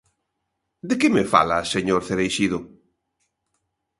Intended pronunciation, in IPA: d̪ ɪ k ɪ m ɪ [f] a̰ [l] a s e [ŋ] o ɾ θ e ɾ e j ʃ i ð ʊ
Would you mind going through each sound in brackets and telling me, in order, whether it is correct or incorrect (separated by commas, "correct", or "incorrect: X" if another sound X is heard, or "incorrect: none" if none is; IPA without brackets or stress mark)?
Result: correct, correct, incorrect: ɲ